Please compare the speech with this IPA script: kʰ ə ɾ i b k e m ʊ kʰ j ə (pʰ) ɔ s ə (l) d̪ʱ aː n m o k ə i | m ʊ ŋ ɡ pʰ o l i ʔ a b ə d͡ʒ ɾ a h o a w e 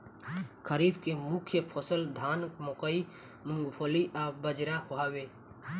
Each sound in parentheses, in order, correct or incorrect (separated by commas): correct, correct